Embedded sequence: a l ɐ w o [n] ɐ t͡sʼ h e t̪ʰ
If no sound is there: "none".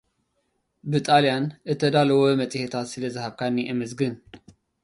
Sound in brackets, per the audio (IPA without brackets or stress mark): m